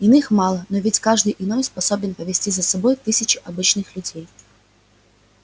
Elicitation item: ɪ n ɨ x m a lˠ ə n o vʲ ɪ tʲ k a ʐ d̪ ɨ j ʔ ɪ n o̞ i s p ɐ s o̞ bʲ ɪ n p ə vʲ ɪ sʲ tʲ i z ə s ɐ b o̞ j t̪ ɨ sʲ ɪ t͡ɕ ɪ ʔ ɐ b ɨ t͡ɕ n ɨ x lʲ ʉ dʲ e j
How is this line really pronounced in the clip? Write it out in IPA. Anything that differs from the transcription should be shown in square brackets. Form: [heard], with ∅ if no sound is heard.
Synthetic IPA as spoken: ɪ n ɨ x m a lˠ ə n o vʲ ɪ tʲ k a ʐ d̪ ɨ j ʔ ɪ n o̞ [j] s p ɐ s o̞ bʲ ɪ n p ə vʲ ɪ sʲ tʲ i z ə s ɐ b o̞ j t̪ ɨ sʲ ɪ t͡ɕ ɪ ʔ ɐ b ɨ t͡ɕ n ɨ x lʲ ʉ dʲ e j